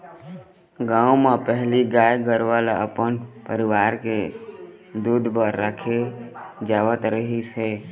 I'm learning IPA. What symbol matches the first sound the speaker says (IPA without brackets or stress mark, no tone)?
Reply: ɡ